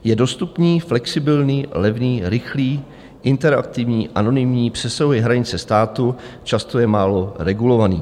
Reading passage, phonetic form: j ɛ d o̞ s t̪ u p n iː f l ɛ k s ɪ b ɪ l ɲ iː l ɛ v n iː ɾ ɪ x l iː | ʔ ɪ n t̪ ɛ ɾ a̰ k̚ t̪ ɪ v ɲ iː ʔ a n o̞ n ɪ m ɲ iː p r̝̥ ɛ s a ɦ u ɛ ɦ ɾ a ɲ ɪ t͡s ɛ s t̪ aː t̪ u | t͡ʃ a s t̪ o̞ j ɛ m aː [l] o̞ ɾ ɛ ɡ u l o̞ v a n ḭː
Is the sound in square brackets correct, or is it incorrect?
correct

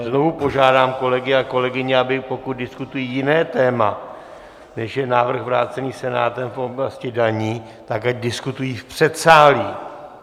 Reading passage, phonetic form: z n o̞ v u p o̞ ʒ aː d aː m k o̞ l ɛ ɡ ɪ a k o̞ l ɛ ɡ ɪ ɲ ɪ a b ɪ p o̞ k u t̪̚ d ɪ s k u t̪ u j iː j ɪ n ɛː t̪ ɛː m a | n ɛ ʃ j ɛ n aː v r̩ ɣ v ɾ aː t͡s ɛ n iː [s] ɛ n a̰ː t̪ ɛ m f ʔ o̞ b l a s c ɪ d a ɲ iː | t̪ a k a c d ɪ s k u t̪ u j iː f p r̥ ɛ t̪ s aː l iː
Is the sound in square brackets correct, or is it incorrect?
correct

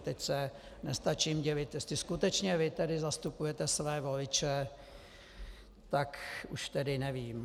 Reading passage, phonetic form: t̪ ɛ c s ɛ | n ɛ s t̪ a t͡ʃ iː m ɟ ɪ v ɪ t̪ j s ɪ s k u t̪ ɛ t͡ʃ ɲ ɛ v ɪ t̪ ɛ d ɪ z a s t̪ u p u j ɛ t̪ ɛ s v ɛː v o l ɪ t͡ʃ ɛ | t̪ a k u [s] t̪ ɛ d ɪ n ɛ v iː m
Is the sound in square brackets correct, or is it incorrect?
incorrect: ʃ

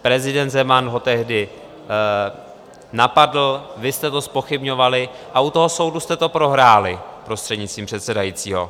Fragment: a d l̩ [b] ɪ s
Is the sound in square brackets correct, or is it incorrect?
incorrect: v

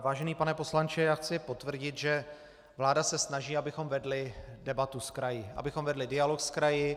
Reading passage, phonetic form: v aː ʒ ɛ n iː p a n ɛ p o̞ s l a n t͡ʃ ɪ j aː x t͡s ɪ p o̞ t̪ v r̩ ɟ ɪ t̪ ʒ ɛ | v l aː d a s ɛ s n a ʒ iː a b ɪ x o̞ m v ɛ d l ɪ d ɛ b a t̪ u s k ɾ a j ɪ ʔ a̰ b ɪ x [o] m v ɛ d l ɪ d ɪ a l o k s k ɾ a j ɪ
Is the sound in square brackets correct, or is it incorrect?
correct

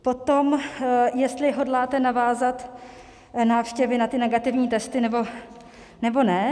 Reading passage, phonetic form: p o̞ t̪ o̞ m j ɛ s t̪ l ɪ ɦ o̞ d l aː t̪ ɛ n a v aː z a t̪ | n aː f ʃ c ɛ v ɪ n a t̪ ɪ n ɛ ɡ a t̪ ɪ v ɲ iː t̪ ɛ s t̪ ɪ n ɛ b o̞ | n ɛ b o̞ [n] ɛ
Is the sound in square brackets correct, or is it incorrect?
correct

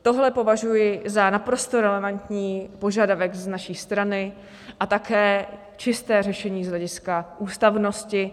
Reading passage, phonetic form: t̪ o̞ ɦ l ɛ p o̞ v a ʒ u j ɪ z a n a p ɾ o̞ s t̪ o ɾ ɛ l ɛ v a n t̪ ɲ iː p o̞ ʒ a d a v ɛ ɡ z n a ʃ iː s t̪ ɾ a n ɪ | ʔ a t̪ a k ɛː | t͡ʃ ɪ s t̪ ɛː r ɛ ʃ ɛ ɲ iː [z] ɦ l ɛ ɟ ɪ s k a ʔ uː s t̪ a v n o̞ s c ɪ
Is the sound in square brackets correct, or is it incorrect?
correct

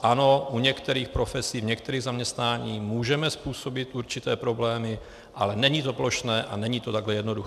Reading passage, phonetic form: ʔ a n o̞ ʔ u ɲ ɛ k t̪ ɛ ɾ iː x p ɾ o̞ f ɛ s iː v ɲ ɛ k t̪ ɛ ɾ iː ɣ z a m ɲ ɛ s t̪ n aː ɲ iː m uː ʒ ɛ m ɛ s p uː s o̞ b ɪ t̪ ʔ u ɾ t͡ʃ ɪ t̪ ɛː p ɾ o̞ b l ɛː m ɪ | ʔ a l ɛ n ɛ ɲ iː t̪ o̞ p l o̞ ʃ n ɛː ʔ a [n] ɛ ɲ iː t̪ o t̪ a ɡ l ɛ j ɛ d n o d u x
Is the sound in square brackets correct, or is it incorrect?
correct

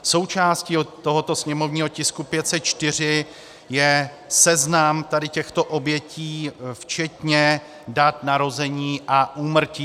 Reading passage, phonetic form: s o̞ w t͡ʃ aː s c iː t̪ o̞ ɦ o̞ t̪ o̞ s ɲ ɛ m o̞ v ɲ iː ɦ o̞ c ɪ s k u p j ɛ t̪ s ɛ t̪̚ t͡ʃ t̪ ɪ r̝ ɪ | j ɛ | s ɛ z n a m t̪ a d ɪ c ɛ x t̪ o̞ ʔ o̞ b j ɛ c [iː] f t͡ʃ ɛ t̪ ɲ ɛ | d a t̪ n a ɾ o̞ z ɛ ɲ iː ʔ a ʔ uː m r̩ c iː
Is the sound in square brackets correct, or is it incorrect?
correct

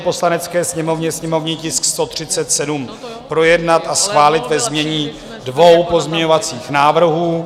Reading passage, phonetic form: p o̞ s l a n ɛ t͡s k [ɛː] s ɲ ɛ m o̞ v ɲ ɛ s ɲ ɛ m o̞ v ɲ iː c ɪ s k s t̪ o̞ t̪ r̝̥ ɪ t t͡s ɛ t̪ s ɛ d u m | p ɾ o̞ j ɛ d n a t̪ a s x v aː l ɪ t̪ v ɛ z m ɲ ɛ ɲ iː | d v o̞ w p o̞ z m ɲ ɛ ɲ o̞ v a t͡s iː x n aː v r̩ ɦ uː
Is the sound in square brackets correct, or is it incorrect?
correct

